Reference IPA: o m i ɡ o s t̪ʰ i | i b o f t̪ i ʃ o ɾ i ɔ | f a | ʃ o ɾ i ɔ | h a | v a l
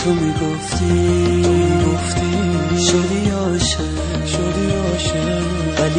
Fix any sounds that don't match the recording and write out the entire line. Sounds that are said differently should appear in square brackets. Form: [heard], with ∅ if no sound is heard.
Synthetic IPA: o m i ɡ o [f] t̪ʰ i | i [ɡ] o f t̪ i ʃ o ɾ i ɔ | [ʃ] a | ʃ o ɾ i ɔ | [ʃ] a | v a l